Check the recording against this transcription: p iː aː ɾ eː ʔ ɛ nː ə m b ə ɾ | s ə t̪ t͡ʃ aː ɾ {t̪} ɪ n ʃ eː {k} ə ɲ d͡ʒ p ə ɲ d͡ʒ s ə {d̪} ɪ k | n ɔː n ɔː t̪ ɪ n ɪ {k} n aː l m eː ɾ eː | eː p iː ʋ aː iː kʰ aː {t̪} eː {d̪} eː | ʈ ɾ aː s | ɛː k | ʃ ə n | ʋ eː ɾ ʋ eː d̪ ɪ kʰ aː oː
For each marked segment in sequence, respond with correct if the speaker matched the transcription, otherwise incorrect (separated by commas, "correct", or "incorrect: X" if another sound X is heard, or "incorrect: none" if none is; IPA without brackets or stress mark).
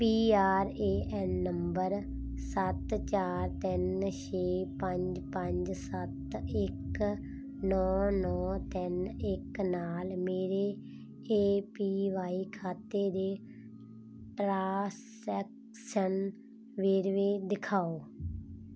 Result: correct, incorrect: p, incorrect: t̪, correct, correct, correct